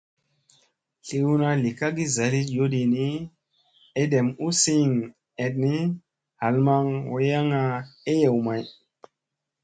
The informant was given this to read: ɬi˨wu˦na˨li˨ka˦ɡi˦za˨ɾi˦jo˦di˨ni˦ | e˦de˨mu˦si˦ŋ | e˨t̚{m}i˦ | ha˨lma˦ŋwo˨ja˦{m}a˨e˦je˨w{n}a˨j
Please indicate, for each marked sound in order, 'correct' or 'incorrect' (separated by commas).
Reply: incorrect, incorrect, incorrect